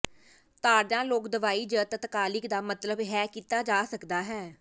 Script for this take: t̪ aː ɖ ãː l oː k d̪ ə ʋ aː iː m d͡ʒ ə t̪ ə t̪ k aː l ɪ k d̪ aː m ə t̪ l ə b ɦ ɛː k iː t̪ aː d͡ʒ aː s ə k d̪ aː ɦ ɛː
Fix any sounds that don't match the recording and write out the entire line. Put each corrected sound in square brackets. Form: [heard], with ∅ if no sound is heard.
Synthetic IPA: t̪ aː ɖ ãː l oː k d̪ ə ʋ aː iː [∅] d͡ʒ ə t̪ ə t̪ k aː l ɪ k d̪ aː m ə t̪ l ə b ɦ ɛː k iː t̪ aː d͡ʒ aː s ə k d̪ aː ɦ ɛː